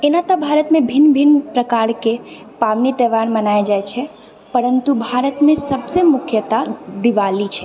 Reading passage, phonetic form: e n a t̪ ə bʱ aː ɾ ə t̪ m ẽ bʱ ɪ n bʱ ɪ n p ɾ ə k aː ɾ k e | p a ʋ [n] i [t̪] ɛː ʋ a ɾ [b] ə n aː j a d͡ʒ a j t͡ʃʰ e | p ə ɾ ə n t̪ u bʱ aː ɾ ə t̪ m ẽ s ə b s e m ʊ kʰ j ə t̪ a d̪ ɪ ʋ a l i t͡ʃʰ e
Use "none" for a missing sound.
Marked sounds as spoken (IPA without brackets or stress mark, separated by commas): n, t̪, m